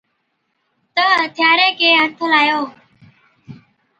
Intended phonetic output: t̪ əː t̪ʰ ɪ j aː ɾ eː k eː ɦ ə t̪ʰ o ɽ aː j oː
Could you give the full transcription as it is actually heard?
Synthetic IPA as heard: t̪ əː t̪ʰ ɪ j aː ɾ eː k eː ɦ ə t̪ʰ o l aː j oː